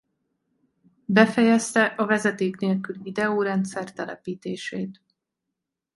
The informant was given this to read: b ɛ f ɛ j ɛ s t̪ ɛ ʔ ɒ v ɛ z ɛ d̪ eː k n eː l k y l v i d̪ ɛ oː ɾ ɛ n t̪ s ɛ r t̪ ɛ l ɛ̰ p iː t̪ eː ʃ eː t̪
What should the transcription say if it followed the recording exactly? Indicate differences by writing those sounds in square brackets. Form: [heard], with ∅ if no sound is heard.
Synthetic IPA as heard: b ɛ f ɛ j ɛ s t̪ ɛ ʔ ɒ v ɛ z ɛ [t̪] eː k n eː l k y l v i d̪ ɛ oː ɾ ɛ n t̪ s ɛ r t̪ ɛ l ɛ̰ p iː t̪ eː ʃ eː t̪